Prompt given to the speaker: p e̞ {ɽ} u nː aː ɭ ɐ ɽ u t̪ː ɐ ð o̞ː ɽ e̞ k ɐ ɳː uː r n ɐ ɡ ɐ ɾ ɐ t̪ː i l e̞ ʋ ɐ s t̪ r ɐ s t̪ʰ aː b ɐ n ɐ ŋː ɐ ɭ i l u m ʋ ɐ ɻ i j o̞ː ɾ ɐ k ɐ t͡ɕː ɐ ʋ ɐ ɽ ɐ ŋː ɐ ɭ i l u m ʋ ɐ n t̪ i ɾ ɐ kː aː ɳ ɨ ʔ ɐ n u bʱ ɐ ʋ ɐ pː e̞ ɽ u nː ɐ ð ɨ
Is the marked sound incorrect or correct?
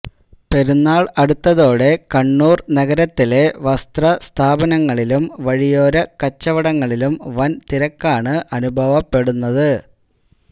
incorrect: ɾ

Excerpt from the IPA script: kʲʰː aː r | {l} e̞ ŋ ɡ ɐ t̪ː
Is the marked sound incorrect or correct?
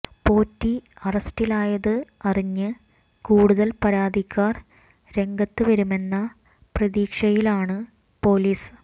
incorrect: ɾ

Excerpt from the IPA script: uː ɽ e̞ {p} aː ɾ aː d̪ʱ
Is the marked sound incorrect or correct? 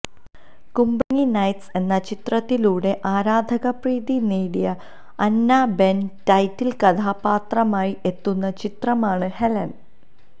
incorrect: ʔ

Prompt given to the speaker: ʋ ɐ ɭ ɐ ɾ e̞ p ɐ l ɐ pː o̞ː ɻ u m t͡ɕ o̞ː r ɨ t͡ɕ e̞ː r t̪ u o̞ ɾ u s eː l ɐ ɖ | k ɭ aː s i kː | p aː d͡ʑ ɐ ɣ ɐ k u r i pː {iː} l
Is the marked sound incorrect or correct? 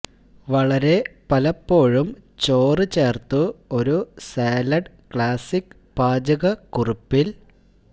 incorrect: i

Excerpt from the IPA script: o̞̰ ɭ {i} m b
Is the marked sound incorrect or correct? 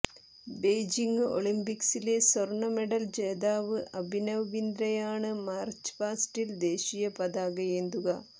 correct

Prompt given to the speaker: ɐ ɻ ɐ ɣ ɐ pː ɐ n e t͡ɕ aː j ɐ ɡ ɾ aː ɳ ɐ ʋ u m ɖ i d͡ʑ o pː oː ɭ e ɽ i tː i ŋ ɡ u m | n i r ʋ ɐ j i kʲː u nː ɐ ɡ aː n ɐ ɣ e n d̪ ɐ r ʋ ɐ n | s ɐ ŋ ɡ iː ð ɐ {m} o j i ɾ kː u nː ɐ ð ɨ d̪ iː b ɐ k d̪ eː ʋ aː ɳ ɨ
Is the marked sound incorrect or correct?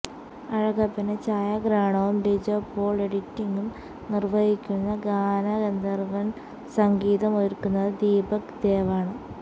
correct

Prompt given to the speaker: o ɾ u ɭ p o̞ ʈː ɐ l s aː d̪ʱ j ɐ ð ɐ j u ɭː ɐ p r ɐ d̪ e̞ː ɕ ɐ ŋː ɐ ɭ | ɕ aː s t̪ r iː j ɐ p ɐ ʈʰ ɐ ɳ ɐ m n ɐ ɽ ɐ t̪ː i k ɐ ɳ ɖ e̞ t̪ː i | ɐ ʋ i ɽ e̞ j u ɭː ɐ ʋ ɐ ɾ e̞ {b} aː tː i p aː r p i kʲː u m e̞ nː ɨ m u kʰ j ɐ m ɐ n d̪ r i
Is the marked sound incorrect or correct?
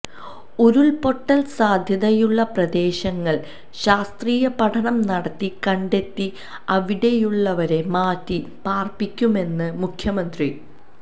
incorrect: m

